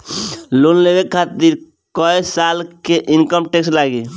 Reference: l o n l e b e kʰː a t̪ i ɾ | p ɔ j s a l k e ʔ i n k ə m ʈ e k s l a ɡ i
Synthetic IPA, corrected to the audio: l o n l e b e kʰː a t̪ i ɾ | k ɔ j s a l k e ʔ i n k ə m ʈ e k s l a ɡ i

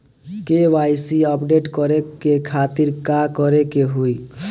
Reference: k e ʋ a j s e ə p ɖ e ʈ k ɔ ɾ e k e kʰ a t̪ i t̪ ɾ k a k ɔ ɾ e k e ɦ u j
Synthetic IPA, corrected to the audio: k e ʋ a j s i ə p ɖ e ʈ k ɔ ɾ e k e kʰ a t̪ i ɾ k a k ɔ ɾ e k e ɦ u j

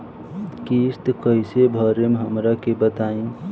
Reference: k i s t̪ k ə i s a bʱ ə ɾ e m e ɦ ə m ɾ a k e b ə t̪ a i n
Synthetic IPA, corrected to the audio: k i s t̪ k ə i s e bʱ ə ɾ e m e ɦ ə m ɾ a k e b ə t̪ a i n

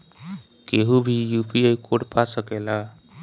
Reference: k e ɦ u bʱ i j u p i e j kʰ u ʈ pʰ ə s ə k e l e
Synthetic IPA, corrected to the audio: k e ɦ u bʱ i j u p i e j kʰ o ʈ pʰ a s ə k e l a

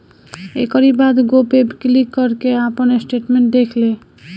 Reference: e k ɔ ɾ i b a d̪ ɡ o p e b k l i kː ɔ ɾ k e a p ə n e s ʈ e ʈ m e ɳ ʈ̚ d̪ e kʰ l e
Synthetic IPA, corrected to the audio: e k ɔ ɾ i b a d̪ ɡ o p e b k l i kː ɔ ɾ k e a p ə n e s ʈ e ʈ m e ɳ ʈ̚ d̪ e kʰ l e

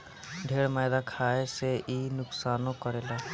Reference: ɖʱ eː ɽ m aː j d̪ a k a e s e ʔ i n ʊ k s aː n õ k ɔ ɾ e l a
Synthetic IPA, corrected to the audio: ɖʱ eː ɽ m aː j d̪ a kʰ a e s e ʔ i n ʊ k s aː n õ k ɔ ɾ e l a

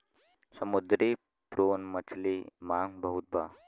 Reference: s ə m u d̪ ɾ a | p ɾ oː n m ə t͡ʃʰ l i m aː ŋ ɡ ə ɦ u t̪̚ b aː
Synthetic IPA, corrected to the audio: s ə m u d̪ ɾ i | p ɾ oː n m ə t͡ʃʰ l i m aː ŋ b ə ɦ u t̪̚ b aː

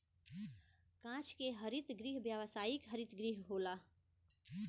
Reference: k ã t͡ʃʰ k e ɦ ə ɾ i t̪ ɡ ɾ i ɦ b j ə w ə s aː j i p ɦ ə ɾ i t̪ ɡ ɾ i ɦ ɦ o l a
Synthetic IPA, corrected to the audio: k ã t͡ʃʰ k e ɦ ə ɾ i t̪ ɡ ɾ i ɦ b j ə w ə s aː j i k ɦ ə ɾ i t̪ ɡ ɾ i ɦ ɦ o l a

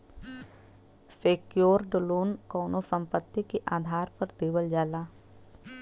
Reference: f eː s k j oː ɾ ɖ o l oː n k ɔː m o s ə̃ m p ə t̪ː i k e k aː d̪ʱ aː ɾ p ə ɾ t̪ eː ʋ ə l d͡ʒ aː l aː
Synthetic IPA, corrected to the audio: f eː k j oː ɾ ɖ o l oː n k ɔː n o s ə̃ m p ə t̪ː i k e ʔ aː d̪ʱ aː ɾ p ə ɾ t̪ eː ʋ ə l d͡ʒ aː l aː

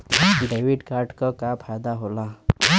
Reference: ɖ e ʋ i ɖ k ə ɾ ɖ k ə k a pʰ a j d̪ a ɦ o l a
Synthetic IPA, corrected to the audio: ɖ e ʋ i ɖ k a ɾ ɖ k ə k a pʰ a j d̪ a ɦ o l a

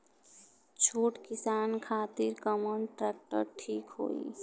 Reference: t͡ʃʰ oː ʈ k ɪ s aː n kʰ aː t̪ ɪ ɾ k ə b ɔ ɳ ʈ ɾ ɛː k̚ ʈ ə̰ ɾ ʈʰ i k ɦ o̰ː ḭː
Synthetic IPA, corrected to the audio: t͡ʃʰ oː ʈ k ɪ s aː n kʰ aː t̪ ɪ ɾ k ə m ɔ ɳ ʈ ɾ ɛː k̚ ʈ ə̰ ɾ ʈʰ iː k ɦ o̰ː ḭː

